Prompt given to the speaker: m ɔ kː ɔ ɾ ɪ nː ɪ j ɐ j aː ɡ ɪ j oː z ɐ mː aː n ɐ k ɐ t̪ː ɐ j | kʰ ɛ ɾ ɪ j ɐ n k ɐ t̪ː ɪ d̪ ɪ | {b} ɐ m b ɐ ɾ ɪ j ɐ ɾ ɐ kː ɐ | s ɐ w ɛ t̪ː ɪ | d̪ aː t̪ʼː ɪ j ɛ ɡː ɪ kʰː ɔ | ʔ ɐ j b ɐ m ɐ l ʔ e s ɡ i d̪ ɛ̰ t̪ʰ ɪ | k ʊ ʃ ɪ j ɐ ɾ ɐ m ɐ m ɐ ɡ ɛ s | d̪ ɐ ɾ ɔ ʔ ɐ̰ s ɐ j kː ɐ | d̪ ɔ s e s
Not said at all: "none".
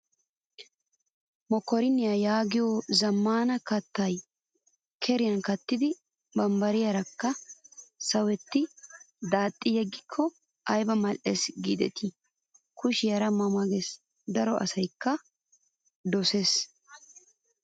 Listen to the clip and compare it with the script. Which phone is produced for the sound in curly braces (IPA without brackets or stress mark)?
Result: b